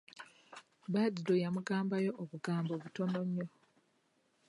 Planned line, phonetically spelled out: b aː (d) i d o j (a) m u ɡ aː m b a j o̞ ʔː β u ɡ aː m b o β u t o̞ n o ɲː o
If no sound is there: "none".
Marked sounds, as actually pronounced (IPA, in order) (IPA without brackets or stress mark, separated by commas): d, a